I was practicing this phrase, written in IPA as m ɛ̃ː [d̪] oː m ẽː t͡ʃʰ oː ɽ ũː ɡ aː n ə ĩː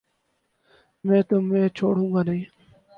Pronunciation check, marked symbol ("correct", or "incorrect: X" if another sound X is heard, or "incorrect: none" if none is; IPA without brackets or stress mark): incorrect: t̪